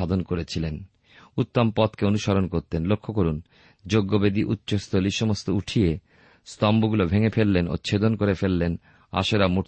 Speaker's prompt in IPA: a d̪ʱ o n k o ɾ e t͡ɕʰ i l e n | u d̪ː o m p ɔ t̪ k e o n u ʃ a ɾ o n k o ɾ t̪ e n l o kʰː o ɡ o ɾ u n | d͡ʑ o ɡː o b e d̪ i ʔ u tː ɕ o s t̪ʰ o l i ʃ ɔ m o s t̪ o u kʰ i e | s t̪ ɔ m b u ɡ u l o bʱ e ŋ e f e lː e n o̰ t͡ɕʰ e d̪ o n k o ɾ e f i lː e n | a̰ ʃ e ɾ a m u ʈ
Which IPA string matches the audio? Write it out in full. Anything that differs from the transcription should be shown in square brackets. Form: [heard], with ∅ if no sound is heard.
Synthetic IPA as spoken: a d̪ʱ o n k o ɾ e t͡ɕʰ i l e n | u [t̪ː] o m p ɔ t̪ k e o n u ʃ a ɾ o n k o ɾ t̪ e n l o kʰː o [k] o ɾ u n | d͡ʑ o ɡː o b e d̪ i ʔ u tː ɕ o s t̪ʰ o l i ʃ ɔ m o s t̪ o u [ʈʰ] i e | s t̪ ɔ m b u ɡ u l o bʱ e ŋ e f e lː e n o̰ t͡ɕʰ e d̪ o n k o ɾ e f [e] lː e n | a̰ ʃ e ɾ a m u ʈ